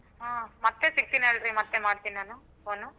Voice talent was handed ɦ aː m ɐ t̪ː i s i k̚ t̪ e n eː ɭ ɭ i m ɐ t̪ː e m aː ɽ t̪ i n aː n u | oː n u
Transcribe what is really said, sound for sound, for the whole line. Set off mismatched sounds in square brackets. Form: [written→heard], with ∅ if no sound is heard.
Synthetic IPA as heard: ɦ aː m ɐ t̪ː [i→e] s i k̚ t̪ [e→i] n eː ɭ [ɭ→ɾ] i m ɐ t̪ː e m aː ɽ t̪ i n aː n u | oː n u